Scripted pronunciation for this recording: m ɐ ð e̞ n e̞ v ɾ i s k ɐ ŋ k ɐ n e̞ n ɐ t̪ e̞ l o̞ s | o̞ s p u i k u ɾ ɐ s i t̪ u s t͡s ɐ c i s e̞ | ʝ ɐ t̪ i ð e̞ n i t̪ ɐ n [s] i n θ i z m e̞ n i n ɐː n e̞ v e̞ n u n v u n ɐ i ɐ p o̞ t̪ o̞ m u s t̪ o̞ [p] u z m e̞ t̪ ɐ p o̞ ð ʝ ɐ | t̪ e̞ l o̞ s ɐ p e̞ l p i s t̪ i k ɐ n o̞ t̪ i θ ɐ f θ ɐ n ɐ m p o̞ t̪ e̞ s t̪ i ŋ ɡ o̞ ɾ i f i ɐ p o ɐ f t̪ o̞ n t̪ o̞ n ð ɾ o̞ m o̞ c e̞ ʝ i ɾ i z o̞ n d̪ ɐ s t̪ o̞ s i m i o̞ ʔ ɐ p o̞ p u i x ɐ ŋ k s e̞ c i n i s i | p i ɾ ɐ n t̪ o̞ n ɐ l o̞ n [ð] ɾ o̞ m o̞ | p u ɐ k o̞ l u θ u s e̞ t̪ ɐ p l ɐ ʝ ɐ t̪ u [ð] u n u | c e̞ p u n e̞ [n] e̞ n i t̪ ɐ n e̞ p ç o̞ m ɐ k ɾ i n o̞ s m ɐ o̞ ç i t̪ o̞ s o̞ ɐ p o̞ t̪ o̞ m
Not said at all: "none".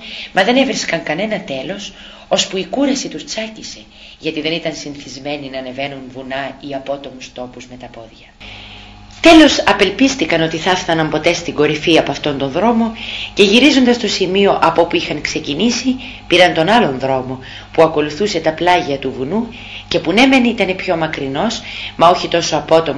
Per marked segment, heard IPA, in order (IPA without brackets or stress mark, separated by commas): s, p, ð, v, m